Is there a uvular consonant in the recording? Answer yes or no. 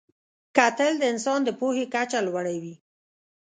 no